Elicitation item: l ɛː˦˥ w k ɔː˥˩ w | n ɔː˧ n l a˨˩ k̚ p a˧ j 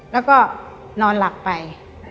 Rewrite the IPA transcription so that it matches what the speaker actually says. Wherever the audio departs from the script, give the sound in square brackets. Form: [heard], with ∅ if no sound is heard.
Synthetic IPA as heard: l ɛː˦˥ w k ɔː˥˩ [∅] | n ɔː˧ n l a˨˩ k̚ p a˧ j